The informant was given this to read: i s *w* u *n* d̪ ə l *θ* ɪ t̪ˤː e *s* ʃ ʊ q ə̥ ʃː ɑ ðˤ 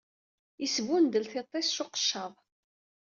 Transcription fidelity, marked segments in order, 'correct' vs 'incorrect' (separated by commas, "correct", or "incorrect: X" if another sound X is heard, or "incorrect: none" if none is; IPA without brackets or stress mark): incorrect: v, correct, correct, correct